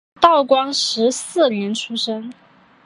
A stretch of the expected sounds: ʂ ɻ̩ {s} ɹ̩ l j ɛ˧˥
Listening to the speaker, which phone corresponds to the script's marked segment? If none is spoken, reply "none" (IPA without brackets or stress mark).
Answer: s